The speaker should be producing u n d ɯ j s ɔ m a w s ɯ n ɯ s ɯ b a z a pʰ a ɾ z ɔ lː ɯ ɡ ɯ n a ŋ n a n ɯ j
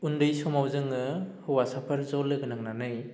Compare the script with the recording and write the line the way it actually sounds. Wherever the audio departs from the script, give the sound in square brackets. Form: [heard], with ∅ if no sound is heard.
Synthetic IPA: u n d ɯ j s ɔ m a w [z] ɯ [ŋ] ɯ [h] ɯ [w] a [s] a pʰ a ɾ z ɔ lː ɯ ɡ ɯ n a ŋ n a n ɯ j

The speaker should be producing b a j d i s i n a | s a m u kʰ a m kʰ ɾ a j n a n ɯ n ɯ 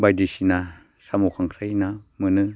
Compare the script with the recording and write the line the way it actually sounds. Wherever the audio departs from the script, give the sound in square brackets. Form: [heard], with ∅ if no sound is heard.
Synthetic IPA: b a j d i s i n a | s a m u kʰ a [ŋ] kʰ ɾ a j n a [m] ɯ n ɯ

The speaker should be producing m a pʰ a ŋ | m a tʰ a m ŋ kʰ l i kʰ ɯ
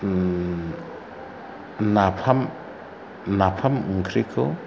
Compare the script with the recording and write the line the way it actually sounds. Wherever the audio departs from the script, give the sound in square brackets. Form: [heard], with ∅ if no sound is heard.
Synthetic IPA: [n] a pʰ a [m] | [n] a [pʰ] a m ŋ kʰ [ɾ] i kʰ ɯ

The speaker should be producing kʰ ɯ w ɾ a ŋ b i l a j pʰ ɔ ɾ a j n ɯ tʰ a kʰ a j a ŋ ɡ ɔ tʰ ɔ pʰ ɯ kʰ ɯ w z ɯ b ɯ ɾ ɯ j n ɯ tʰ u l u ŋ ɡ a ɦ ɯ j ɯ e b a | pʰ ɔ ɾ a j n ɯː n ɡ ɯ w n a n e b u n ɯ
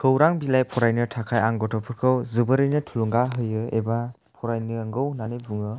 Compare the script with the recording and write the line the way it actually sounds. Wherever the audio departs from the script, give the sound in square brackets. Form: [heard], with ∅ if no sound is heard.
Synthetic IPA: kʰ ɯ w ɾ a ŋ b i l a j pʰ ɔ ɾ a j n ɯ tʰ a kʰ a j a ŋ ɡ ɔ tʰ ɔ pʰ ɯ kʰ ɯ w z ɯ b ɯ ɾ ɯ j n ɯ tʰ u l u ŋ ɡ a ɦ ɯ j ɯ e b a | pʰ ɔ ɾ a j n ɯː [ŋ] ɡ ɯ w n a n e b u [ŋ] ɯ

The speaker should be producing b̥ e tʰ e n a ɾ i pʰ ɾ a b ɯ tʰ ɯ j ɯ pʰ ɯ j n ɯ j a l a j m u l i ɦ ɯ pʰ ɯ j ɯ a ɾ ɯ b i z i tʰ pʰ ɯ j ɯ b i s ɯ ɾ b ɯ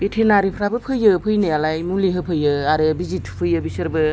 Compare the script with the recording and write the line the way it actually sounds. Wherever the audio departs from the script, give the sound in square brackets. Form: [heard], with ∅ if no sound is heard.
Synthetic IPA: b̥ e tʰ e n a ɾ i pʰ ɾ a b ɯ [pʰ] ɯ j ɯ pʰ ɯ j n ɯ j a l a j m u l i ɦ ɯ pʰ ɯ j ɯ a ɾ ɯ b i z i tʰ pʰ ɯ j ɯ b i s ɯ ɾ b ɯ

